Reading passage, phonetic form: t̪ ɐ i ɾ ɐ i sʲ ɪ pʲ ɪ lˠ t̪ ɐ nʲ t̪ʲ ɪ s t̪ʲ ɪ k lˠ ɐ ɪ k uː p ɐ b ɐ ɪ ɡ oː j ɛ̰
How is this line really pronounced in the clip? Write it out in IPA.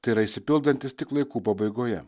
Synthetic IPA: t̪ ɐ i ɾ ɐ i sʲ ɪ pʲ ɪ lˠ d̪ ɐ nʲ t̪ʲ ɪ s t̪ʲ ɪ k lˠ ɐ ɪ k uː p ɐ b ɐ ɪ ɡ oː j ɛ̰